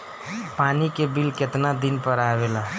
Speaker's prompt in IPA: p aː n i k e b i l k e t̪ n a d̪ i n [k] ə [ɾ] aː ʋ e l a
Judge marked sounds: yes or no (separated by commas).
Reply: no, yes